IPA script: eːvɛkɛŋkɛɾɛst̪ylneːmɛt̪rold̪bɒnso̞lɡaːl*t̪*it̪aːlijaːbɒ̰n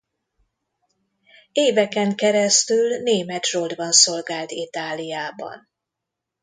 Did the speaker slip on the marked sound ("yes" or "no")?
no